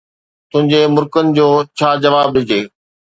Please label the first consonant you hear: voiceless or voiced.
voiceless